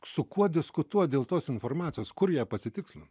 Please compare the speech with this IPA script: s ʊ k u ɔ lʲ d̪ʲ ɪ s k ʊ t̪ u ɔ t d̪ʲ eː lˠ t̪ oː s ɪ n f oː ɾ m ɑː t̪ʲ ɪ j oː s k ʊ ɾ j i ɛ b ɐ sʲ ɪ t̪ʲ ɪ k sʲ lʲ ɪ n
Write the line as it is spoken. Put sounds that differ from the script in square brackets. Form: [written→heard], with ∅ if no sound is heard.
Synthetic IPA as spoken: s ʊ k u ɔ [lʲ→∅] d̪ʲ ɪ s k ʊ t̪ u ɔ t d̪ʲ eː lˠ t̪ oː s ɪ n f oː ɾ m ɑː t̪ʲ ɪ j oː s k ʊ ɾ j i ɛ [b→p] ɐ sʲ ɪ t̪ʲ ɪ k sʲ lʲ ɪ n